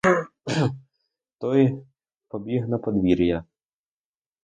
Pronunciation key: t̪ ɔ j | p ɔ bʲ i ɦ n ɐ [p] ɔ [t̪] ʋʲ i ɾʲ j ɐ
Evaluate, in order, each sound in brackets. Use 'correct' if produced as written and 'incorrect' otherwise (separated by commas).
correct, incorrect